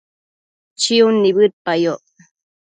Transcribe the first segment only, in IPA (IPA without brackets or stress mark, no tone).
t͡ʃ